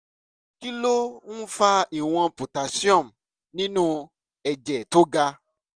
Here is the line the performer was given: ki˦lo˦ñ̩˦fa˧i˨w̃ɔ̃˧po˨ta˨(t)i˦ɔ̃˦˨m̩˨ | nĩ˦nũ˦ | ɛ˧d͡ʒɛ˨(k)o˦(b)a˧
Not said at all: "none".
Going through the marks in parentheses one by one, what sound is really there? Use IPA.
s, t, ɡ

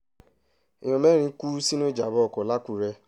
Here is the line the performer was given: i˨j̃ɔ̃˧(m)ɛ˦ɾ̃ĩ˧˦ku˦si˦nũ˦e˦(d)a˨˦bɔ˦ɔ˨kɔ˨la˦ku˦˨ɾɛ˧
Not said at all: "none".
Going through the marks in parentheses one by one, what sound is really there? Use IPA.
m, d͡ʒ

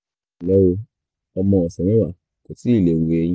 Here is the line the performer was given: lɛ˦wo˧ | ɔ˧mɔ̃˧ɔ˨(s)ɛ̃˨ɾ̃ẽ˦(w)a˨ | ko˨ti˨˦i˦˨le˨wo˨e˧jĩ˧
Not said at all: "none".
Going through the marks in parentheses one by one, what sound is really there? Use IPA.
s, w

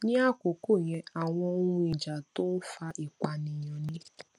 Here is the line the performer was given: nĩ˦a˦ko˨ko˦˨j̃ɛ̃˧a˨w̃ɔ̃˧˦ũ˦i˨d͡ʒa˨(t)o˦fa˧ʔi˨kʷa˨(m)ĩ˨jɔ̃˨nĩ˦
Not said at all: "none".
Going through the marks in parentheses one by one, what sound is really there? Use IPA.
t, n

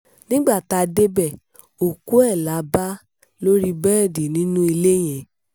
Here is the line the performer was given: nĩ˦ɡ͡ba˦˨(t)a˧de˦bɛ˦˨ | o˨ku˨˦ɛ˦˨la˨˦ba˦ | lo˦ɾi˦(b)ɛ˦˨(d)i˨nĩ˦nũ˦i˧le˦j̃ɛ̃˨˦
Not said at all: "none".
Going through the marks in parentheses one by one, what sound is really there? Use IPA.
t, b, d

